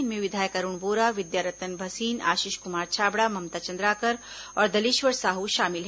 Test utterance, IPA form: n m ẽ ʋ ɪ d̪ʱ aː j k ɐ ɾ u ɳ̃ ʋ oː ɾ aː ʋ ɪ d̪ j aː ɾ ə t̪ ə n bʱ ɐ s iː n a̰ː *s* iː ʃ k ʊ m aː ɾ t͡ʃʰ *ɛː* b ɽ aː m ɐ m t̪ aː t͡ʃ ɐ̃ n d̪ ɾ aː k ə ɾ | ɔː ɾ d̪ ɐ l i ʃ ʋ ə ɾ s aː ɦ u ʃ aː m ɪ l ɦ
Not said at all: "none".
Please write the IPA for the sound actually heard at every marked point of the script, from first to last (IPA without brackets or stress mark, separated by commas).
ʃ, aː